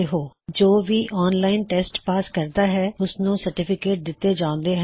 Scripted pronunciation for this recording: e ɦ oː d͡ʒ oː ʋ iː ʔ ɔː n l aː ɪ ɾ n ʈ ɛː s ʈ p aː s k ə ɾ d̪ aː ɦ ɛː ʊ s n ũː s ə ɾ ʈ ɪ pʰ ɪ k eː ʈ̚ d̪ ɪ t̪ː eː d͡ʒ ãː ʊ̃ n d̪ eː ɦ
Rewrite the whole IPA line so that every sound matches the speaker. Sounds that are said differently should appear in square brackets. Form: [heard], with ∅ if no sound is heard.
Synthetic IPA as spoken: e ɦ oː d͡ʒ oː ʋ iː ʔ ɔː n l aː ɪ [∅] n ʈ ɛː s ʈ p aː s k ə ɾ d̪ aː ɦ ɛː ʊ s n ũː s ə ɾ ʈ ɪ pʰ ɪ k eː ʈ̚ d̪ ɪ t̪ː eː d͡ʒ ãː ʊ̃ n d̪ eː ɦ